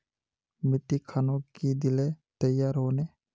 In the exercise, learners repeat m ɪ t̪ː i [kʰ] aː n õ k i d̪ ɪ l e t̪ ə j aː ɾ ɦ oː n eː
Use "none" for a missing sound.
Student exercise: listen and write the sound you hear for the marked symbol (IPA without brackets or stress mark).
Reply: kʰ